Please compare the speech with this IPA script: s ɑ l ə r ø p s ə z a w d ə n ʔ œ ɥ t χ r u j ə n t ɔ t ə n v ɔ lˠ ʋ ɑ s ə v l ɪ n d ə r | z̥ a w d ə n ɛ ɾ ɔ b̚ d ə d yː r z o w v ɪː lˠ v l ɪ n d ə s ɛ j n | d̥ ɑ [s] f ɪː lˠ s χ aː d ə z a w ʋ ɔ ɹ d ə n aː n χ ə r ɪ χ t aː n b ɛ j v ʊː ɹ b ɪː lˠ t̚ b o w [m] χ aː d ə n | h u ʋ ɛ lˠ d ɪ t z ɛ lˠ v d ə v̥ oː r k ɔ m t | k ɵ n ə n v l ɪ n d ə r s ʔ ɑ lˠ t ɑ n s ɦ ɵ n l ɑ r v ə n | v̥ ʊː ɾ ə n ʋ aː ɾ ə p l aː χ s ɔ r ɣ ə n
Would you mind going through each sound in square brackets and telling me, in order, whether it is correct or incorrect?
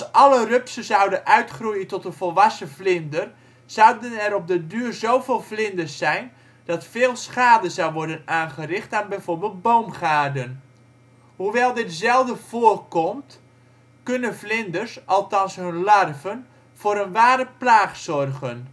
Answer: incorrect, correct

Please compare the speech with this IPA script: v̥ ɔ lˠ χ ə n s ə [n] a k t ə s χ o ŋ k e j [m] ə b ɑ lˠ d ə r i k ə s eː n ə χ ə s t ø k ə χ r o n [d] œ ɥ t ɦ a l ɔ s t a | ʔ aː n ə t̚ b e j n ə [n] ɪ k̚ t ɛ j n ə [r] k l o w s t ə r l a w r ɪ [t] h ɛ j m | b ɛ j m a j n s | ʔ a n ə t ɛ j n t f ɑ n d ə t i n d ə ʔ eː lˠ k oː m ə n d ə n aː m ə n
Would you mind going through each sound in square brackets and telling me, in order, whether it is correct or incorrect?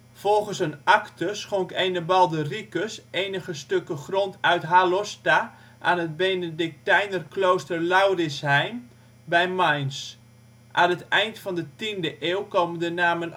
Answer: correct, incorrect, incorrect, incorrect, correct, incorrect

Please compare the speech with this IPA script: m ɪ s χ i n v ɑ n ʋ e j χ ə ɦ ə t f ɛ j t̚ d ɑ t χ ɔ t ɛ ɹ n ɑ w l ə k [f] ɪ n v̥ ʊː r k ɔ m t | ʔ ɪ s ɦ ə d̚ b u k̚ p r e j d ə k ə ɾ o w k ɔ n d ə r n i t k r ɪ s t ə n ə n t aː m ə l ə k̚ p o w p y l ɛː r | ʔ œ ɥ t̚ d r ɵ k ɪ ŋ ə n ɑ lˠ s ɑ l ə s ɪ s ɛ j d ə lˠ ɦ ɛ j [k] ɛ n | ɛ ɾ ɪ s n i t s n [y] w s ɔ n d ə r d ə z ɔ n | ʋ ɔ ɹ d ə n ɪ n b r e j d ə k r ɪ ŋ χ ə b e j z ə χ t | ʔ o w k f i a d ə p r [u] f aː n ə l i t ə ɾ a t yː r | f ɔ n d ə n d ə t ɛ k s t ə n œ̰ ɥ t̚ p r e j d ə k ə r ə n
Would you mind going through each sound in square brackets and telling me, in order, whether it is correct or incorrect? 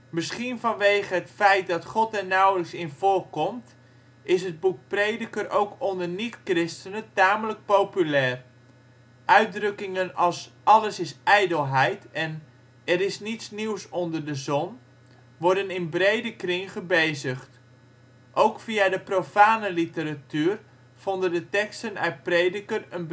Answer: incorrect, incorrect, incorrect, incorrect

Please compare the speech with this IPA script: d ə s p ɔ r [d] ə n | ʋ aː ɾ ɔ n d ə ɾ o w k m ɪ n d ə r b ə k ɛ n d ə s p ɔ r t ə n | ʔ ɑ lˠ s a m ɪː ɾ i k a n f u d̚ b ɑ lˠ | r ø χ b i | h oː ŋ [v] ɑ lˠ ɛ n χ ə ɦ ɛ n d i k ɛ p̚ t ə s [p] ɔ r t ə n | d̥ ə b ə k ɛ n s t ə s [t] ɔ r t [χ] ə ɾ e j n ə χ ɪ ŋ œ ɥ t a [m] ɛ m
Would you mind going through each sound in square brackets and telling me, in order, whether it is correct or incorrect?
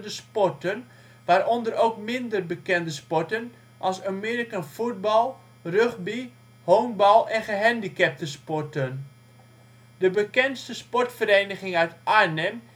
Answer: incorrect, incorrect, correct, incorrect, incorrect, incorrect

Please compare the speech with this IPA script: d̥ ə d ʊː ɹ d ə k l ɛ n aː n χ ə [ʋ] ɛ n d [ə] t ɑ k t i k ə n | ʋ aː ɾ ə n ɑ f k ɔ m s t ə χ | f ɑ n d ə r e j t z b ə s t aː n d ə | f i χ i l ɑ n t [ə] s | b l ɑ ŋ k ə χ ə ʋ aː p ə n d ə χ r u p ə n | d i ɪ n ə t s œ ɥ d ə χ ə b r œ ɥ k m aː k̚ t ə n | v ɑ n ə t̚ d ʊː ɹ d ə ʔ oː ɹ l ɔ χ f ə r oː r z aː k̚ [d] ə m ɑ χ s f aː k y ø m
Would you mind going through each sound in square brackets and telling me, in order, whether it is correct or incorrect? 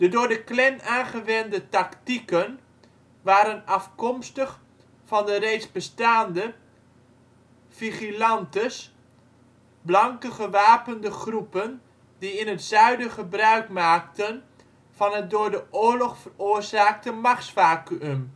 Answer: correct, correct, correct, incorrect

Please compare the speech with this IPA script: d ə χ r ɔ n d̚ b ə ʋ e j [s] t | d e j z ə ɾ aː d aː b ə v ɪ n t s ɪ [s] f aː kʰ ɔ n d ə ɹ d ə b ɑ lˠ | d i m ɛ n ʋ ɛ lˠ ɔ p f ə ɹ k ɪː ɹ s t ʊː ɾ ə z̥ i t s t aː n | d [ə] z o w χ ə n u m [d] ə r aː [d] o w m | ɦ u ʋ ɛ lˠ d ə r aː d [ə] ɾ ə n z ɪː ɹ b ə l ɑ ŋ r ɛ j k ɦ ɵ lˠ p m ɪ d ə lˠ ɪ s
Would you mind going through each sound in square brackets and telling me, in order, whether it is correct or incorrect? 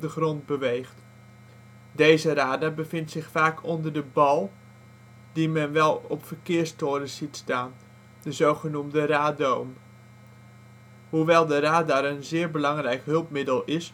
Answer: incorrect, incorrect, correct, correct, correct, incorrect

